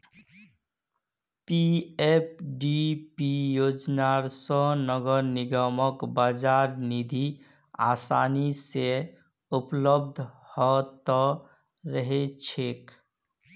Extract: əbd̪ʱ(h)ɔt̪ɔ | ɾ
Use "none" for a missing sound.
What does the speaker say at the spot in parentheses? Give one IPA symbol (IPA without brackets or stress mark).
h